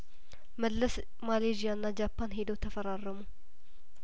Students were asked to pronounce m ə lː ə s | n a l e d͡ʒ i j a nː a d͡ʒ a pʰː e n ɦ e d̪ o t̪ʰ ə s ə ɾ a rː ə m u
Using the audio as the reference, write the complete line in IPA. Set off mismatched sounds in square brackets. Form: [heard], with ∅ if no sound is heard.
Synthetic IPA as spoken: m ə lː ə s | [m] a l e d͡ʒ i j a nː a d͡ʒ a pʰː [a] n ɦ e d̪ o t̪ʰ ə [f] ə ɾ a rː ə m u